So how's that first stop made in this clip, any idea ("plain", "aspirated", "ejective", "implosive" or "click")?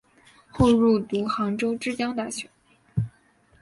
plain